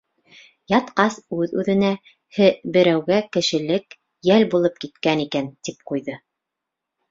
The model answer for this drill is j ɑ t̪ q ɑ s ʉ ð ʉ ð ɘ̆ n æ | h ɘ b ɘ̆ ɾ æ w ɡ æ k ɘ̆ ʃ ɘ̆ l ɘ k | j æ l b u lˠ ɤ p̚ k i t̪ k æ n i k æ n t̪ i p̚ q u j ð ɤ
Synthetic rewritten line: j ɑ t̪ q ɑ s ʉ ð ʉ ð ɘ̆ n æ | h ɘ b ɘ̆ ɾ æ w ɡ æ k ɘ̆ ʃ ɘ̆ l ɘ k | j æ l b u lˠ ɤ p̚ k i t̪ k æ n i k æ n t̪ i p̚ q u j ð ɤ